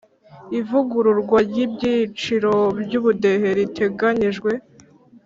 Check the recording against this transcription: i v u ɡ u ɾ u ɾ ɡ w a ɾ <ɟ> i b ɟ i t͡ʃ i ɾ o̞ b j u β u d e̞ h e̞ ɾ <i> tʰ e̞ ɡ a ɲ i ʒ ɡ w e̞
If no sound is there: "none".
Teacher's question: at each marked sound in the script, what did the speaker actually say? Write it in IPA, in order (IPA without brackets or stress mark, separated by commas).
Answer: ɟ, i